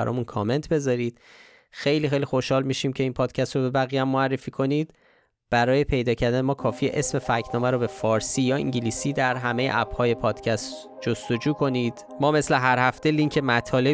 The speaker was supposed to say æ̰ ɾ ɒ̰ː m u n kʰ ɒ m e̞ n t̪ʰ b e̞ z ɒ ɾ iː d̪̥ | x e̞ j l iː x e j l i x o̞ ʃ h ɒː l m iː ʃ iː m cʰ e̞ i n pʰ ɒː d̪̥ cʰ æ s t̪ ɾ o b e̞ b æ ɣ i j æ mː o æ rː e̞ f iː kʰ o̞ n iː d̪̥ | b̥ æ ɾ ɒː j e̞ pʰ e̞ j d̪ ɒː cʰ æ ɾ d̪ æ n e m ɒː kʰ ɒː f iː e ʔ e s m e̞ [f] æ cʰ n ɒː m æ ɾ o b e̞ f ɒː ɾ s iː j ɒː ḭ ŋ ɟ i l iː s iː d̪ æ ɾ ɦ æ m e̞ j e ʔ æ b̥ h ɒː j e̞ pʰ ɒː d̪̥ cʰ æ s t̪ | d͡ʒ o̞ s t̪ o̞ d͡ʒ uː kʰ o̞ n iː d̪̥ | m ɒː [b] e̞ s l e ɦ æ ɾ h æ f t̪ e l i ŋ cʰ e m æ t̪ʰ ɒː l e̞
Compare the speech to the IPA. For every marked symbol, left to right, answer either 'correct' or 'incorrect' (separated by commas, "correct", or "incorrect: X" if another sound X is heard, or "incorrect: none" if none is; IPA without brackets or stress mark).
correct, incorrect: m